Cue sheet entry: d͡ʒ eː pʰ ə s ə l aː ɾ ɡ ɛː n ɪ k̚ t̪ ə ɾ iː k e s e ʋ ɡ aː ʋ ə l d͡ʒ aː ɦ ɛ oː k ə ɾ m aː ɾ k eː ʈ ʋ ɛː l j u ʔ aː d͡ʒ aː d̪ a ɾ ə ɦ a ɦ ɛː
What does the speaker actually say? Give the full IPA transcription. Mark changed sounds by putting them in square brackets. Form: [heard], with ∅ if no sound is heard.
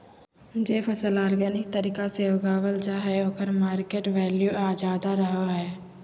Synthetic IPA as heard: d͡ʒ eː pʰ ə s ə l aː ɾ ɡ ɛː n ɪ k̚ t̪ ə ɾ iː k [a] s e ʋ ɡ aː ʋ ə l d͡ʒ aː ɦ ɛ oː k ə ɾ m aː ɾ k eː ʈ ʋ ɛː l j u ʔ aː d͡ʒ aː d̪ a ɾ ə ɦ a ɦ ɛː